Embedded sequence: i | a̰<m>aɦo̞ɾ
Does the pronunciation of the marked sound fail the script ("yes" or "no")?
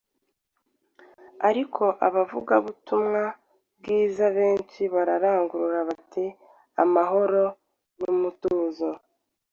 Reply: no